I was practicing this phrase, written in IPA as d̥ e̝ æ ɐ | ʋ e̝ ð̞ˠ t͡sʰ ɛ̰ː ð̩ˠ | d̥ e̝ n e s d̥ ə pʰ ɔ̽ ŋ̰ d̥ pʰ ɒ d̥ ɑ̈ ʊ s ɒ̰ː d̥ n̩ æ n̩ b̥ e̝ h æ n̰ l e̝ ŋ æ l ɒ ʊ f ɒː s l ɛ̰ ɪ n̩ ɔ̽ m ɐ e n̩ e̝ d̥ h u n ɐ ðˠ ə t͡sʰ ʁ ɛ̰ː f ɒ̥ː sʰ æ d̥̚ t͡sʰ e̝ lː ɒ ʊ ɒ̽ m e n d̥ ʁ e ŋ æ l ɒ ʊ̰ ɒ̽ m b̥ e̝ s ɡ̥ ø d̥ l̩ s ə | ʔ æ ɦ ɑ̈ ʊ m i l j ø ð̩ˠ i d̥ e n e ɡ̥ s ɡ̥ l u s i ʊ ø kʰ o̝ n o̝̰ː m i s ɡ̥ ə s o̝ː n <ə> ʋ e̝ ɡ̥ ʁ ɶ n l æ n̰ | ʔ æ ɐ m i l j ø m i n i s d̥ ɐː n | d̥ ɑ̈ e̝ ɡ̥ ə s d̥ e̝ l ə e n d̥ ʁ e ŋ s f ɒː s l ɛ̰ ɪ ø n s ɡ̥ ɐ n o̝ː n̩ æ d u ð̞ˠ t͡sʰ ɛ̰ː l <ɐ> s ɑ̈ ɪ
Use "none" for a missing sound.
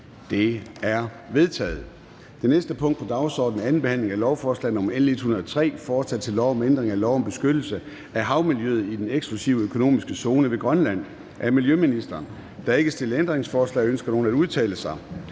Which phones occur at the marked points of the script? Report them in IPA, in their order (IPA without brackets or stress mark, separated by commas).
ə, ə